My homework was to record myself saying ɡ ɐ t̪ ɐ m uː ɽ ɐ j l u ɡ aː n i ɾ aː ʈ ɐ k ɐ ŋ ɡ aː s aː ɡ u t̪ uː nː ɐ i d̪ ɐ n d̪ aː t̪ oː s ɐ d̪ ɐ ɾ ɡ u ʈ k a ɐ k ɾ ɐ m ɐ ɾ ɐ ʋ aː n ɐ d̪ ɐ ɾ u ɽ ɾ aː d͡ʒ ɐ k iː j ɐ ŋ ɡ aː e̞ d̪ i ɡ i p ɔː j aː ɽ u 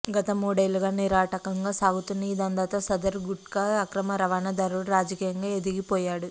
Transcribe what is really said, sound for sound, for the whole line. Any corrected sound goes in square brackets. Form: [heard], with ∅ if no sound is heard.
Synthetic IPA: ɡ ɐ t̪ ɐ m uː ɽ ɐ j l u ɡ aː n i ɾ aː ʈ ɐ k ɐ ŋ ɡ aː s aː ɡ u t̪ [u] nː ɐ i d̪ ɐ n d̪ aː t̪ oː s ɐ d̪ ɐ ɾ ɡ u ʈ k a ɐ k ɾ ɐ m ɐ ɾ ɐ ʋ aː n ɐ d̪ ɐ ɾ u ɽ ɾ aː d͡ʒ ɐ k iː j ɐ ŋ ɡ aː e̞ d̪ i ɡ i p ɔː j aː ɽ u